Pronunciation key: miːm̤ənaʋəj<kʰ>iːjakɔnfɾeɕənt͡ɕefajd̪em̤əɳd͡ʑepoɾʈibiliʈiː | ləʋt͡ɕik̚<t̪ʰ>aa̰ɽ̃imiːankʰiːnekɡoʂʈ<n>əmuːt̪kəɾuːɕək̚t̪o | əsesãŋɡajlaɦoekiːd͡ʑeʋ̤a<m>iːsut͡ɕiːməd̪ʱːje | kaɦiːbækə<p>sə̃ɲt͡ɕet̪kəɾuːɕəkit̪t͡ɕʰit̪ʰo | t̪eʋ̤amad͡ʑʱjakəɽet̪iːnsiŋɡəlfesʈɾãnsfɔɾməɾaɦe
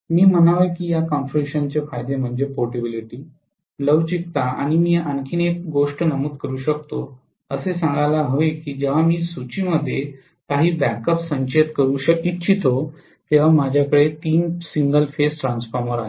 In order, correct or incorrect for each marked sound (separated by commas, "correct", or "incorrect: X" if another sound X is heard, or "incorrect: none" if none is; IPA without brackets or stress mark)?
incorrect: k, incorrect: t̪, correct, correct, correct